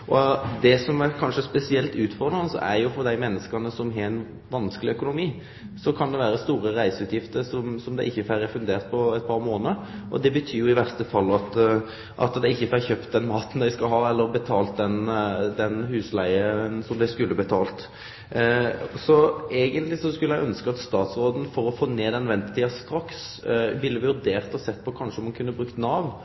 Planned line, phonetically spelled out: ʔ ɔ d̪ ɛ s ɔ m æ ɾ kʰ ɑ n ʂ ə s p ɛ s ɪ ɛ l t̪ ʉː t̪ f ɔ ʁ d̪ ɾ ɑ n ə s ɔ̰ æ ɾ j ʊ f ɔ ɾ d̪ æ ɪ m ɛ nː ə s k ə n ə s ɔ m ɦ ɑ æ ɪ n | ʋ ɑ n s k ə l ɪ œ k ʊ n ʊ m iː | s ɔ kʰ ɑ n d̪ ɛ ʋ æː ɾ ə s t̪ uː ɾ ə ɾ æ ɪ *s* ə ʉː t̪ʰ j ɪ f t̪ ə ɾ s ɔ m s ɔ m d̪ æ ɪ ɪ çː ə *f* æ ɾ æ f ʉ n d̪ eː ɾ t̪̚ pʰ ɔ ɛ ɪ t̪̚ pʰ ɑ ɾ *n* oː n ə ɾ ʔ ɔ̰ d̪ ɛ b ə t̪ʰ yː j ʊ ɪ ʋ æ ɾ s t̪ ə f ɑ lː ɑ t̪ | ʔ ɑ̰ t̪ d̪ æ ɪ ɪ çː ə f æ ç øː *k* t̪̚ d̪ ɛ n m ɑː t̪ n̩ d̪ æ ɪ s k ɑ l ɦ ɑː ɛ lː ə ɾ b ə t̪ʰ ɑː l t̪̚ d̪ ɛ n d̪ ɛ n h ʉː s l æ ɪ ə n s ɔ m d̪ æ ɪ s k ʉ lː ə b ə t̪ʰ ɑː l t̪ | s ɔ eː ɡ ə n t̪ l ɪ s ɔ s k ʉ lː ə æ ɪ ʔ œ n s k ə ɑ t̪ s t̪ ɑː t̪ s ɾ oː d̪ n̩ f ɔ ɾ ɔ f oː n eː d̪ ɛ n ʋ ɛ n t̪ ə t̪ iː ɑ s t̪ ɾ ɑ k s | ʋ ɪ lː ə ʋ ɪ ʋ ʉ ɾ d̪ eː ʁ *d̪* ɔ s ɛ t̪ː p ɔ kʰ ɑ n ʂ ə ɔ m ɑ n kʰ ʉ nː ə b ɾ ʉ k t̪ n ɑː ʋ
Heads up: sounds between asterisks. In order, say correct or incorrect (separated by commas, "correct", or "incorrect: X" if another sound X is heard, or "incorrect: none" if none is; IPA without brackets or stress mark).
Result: correct, correct, incorrect: m, incorrect: p, incorrect: t̪